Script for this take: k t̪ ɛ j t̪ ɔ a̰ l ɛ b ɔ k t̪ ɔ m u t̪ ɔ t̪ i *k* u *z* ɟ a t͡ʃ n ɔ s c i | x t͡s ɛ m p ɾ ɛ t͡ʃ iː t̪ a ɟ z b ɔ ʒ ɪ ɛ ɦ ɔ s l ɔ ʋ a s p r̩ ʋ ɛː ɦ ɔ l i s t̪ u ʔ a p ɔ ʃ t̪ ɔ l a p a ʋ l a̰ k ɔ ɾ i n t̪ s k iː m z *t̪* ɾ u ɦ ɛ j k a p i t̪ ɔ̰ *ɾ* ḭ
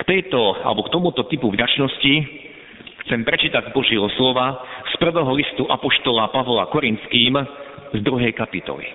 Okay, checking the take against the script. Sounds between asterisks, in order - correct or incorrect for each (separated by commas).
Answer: incorrect, incorrect, incorrect, incorrect